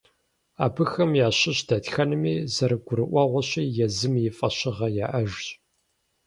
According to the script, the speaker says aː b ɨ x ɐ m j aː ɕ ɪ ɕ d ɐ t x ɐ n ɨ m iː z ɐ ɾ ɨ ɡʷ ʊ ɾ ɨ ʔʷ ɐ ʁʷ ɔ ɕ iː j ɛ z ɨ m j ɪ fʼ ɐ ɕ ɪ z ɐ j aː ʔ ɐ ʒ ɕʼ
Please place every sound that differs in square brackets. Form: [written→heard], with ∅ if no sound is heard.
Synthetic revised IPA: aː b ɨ x ɐ m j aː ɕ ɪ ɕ d ɐ t x ɐ n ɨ m iː z ɐ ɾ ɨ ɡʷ ʊ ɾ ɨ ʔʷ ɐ ʁʷ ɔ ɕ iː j ɛ z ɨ m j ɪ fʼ ɐ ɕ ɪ [z→ʁ] ɐ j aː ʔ ɐ ʒ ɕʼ